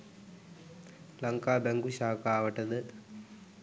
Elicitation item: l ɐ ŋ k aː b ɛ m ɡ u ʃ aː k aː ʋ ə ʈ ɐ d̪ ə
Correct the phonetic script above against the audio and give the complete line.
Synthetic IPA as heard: l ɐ ŋ k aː b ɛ ŋ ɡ u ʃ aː k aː ʋ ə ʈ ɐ d̪ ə

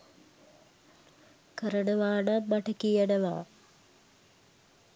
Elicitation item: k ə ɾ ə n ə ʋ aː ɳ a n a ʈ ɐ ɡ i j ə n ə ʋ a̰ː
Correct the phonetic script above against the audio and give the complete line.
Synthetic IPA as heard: k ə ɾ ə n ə ʋ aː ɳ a m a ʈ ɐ k i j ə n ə ʋ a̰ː

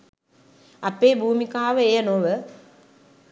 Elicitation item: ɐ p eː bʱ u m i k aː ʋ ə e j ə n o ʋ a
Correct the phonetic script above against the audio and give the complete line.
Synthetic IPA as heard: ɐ p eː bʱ uː m i k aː ʋ ə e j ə n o ʋ ə

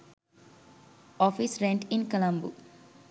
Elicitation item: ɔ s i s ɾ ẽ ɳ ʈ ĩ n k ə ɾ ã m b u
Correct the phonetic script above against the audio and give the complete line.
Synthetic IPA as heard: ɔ f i s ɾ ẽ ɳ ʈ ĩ n k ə l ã m b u

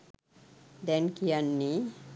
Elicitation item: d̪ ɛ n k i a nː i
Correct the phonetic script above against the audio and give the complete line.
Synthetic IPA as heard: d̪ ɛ n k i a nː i

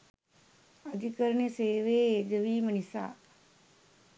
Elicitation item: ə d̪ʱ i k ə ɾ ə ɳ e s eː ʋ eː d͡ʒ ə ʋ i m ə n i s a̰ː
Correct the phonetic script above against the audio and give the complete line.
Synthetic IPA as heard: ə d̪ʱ i k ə ɾ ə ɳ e s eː ʋ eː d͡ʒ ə ʋ iː m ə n i s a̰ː

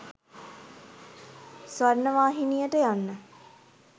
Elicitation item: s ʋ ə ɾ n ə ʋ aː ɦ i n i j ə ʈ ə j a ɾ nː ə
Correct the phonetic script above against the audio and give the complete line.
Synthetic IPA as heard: s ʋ a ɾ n ə ʋ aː ɦ i n i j ə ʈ ə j a nː ə

